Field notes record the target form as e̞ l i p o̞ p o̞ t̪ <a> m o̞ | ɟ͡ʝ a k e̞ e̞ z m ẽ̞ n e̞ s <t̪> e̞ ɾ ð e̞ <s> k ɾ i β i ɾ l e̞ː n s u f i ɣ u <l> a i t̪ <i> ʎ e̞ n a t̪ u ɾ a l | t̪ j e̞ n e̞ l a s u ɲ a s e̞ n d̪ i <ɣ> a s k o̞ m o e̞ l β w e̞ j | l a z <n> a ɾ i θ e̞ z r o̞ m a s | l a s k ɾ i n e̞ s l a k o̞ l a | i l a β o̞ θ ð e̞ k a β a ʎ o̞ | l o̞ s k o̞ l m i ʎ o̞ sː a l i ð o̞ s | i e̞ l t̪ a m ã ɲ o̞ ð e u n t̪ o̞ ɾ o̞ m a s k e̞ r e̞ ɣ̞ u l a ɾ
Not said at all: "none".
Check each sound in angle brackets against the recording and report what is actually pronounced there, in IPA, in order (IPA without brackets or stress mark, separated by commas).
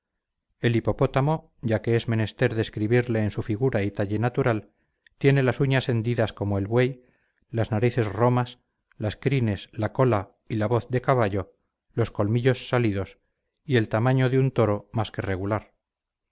a, t̪, s, ɾ, a, ð, n